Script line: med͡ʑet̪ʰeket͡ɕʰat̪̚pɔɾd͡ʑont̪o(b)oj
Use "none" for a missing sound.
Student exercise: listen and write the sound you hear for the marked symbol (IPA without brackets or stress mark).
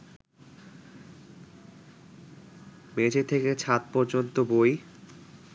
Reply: b